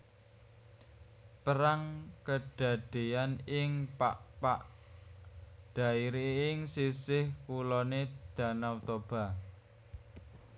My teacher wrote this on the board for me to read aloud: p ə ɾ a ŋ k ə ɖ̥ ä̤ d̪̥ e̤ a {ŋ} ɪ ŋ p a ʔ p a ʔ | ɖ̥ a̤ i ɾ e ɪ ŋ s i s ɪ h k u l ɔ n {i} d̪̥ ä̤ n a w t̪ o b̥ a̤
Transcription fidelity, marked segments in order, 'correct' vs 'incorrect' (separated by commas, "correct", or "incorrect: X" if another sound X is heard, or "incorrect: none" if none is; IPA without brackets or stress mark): incorrect: n, incorrect: e